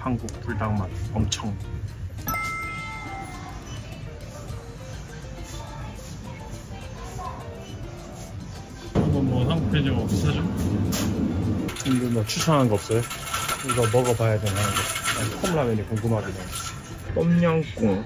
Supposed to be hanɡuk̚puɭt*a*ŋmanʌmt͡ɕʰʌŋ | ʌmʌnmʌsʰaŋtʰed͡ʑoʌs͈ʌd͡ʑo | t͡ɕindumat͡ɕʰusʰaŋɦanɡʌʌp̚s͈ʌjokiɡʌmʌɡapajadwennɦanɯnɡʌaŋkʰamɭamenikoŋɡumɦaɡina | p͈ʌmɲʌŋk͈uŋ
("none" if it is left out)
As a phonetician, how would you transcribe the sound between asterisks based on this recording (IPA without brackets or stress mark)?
a